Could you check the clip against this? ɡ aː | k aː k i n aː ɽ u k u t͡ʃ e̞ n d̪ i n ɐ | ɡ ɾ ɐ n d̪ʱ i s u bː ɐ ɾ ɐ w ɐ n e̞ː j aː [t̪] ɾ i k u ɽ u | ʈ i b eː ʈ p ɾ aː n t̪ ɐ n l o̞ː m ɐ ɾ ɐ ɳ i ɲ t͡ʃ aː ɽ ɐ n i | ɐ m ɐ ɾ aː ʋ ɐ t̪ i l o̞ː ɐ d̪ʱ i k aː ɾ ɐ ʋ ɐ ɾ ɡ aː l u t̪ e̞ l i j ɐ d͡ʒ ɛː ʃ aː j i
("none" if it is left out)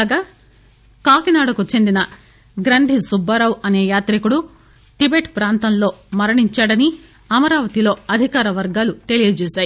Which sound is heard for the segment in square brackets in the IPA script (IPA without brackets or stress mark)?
t̪